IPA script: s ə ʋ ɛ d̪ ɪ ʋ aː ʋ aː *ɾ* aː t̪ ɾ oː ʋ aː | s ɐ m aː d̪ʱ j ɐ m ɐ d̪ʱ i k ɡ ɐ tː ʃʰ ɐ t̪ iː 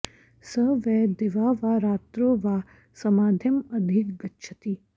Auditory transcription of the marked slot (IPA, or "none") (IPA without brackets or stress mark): ɾ